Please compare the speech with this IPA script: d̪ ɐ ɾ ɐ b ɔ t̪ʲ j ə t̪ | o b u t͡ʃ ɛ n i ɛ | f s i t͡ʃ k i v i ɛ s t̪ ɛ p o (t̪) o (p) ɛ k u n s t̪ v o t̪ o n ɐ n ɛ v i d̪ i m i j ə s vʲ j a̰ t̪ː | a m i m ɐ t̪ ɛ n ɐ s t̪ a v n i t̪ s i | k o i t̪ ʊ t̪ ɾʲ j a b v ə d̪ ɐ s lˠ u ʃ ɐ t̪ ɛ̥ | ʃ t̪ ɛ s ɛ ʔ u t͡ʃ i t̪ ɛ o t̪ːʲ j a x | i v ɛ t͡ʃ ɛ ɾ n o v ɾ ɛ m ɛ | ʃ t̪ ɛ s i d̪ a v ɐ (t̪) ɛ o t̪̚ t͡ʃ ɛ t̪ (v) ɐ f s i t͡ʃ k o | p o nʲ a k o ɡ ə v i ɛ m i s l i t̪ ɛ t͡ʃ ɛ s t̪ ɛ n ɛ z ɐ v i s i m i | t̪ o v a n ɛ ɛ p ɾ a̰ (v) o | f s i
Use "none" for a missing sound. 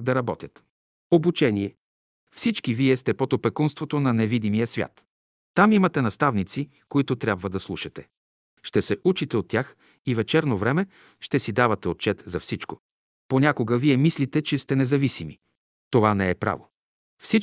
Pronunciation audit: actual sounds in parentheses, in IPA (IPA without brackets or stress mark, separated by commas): t̪, p, t̪, z, v